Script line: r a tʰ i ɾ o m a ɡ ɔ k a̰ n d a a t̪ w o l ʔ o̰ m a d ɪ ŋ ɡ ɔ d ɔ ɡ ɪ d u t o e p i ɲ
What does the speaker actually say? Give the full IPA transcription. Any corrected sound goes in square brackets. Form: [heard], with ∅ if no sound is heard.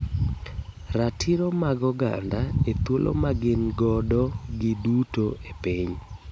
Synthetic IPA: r a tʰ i ɾ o m a ɡ ɔ [ɡ] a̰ n d a [e] t̪ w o l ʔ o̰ m a [ɡ] ɪ [n] ɡ ɔ d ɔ ɡ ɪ d u t o e p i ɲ